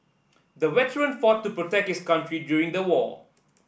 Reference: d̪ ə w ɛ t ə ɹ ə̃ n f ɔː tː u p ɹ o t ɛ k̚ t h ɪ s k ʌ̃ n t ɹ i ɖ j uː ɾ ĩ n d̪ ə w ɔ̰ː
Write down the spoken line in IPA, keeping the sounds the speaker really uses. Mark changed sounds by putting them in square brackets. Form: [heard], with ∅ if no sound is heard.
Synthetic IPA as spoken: d̪ ə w ɛ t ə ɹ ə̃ n f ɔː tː u p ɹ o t ɛ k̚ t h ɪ s k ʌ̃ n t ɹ i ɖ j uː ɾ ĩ [ŋ] d̪ ə w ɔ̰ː